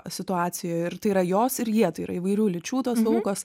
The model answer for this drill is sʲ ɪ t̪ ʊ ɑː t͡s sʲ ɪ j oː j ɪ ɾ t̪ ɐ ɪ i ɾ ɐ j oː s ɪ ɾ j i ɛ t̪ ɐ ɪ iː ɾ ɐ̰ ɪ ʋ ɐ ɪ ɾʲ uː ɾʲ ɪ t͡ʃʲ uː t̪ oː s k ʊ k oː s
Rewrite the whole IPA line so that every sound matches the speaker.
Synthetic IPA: sʲ ɪ t̪ ʊ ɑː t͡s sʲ ɪ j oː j ɪ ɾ t̪ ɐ ɪ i ɾ ɐ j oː s ɪ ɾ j i ɛ t̪ ɐ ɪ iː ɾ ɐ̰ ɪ ʋ ɐ ɪ ɾʲ uː lʲ ɪ t͡ʃʲ uː t̪ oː s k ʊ k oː s